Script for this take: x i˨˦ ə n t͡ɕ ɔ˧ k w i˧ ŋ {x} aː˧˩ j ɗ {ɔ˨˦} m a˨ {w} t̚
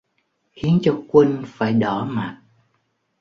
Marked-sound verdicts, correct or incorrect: incorrect: f, incorrect: ɔ˧˩, incorrect: none

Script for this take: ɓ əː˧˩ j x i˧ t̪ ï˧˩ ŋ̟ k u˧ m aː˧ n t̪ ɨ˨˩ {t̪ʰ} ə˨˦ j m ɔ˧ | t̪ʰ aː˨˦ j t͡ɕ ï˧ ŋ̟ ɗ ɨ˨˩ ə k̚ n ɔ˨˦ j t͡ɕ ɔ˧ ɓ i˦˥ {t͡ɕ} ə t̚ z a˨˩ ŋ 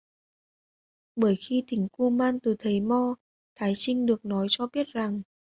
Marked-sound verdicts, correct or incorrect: correct, incorrect: none

